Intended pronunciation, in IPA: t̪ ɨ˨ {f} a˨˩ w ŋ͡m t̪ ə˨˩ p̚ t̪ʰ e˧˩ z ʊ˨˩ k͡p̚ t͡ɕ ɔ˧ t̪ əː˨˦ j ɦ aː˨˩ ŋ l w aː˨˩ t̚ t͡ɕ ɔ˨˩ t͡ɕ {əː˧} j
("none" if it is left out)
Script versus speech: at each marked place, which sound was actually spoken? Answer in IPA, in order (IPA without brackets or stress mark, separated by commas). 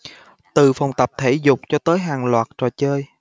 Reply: f, əː˧